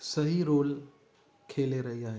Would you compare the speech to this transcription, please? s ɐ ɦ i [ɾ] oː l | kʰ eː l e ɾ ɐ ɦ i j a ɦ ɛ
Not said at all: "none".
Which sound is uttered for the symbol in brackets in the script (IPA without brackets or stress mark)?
ɾ